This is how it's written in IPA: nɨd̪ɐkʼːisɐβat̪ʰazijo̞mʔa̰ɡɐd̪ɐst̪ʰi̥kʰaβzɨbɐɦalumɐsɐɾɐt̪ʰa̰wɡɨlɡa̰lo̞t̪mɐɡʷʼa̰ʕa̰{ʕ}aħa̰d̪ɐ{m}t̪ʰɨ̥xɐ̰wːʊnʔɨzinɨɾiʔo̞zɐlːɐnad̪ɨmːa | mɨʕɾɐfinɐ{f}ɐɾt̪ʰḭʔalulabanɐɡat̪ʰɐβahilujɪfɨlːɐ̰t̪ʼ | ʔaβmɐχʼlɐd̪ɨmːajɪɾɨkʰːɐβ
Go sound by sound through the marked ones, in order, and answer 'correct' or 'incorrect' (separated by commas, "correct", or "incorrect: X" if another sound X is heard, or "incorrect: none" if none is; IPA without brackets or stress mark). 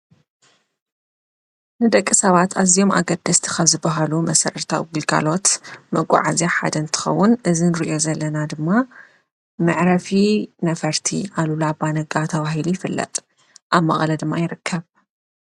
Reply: incorrect: z, incorrect: n, correct